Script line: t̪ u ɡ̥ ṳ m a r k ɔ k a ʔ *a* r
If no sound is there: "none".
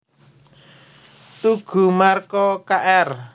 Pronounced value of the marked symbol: ɛ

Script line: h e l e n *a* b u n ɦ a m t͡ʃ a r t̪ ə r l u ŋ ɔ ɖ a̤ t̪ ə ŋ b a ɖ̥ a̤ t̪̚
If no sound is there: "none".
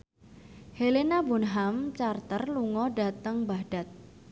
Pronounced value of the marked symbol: a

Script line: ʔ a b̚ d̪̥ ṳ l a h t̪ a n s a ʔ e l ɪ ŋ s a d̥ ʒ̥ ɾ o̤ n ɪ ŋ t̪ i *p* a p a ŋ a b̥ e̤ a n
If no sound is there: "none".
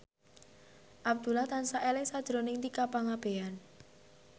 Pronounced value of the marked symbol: k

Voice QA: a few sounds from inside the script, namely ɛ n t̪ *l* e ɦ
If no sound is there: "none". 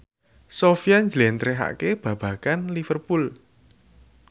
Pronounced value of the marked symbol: ɾ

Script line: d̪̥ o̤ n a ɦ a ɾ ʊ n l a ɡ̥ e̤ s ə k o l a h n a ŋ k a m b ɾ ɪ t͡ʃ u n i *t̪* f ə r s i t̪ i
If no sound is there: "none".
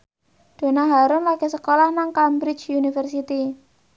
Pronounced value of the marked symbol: none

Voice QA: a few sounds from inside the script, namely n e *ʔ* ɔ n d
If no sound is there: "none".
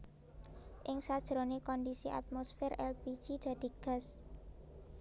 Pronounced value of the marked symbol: k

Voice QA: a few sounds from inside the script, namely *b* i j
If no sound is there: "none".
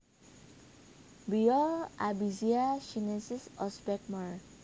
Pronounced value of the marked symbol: b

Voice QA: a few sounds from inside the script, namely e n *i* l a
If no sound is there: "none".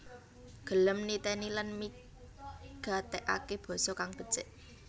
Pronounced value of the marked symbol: i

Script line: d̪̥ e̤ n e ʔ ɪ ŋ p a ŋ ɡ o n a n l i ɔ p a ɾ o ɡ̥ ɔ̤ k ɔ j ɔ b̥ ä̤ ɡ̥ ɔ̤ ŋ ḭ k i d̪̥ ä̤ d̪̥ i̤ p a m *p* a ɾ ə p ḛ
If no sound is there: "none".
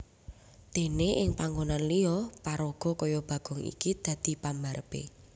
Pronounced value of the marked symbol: b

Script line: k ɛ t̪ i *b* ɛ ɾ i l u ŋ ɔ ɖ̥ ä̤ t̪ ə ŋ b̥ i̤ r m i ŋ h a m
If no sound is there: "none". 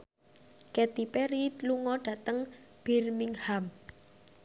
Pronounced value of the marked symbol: p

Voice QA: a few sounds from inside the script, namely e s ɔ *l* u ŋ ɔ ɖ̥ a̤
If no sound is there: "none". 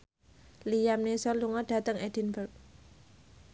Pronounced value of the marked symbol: l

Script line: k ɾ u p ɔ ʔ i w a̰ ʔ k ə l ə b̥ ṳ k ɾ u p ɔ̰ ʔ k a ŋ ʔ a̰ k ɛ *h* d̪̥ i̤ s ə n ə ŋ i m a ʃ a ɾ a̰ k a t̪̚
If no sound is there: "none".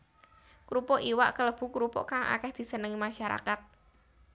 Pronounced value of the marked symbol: h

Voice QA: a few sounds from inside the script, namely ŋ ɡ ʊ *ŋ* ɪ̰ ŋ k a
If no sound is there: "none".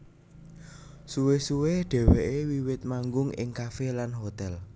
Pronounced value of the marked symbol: ŋ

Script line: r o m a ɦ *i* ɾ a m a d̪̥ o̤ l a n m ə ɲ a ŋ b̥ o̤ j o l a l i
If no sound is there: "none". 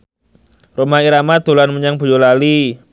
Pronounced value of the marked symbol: i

